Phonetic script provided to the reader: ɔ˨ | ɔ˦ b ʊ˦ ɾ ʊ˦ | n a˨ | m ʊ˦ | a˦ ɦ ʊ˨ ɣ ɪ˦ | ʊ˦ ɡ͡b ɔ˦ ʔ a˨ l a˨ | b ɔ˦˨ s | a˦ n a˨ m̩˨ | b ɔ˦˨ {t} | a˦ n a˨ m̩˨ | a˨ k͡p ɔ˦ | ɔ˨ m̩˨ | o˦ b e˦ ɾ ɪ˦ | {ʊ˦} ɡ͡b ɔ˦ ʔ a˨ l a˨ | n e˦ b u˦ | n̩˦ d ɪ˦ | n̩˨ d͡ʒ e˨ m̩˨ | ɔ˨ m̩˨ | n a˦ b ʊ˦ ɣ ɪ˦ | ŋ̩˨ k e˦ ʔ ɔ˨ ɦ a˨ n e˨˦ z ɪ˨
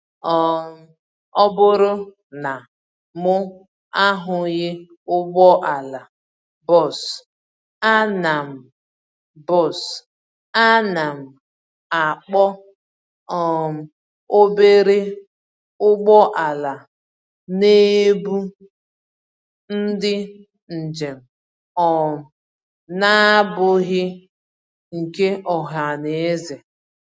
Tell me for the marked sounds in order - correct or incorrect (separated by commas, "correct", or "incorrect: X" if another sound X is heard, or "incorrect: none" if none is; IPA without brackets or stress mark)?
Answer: incorrect: s, correct